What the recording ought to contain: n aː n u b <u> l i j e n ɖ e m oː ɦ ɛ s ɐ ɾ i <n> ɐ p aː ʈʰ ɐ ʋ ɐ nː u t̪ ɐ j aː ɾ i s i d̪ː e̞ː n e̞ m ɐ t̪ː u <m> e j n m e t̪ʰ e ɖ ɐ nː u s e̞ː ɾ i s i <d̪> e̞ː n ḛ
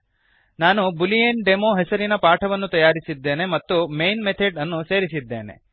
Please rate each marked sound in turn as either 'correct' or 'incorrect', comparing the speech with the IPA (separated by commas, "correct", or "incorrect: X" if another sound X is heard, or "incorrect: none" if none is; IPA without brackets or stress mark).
correct, correct, correct, incorrect: d̪ː